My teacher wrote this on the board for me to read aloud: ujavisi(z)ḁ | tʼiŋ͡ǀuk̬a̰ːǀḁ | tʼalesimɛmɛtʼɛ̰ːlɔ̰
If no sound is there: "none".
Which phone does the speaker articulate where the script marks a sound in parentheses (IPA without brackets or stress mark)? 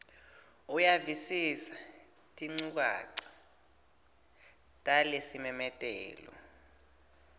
s